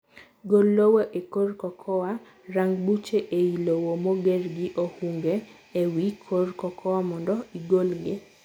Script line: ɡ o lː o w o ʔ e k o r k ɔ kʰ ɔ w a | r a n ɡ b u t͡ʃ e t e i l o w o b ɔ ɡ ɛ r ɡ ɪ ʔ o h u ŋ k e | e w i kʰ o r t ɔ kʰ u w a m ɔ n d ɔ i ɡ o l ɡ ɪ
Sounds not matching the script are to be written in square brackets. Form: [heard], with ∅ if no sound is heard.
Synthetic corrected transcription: ɡ o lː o w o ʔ e k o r k ɔ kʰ ɔ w a | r a [ŋ] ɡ b u t͡ʃ e [ʔ] e i l o w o [m] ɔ ɡ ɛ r ɡ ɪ ʔ o h u ŋ [ɡ] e | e w i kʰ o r [k] ɔ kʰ [ɔ] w a m ɔ n d ɔ i ɡ o l ɡ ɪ